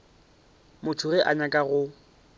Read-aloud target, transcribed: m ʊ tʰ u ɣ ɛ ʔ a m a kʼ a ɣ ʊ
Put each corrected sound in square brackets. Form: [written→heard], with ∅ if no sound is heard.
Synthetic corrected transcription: m ʊ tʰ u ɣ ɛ ʔ a [m→ɲ] a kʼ a ɣ ʊ